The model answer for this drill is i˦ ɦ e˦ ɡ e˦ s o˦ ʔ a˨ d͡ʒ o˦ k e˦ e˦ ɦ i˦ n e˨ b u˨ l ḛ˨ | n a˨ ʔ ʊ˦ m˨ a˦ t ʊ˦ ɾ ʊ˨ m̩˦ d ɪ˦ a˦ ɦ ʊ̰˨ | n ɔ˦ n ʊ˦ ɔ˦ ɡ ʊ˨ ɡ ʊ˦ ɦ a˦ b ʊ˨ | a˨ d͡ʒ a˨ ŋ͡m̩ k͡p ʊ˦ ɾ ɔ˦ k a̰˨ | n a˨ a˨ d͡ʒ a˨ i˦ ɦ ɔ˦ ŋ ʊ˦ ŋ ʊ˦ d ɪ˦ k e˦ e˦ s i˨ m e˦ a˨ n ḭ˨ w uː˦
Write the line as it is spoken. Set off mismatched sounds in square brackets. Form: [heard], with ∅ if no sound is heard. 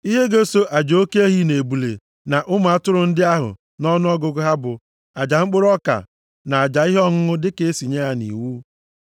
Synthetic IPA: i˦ ɦ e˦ ɡ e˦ s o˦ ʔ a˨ d͡ʒ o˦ k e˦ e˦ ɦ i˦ n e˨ b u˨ l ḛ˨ | n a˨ ʔ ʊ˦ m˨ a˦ t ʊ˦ ɾ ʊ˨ [n̩˦] d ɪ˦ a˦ ɦ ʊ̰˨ | n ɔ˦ n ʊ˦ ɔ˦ ɡ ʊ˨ ɡ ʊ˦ ɦ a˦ b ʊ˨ | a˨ d͡ʒ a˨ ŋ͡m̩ k͡p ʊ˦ ɾ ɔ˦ k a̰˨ | n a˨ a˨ d͡ʒ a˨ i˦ ɦ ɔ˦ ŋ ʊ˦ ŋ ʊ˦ d ɪ˦ k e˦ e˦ s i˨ [ɲ] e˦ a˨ n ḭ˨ w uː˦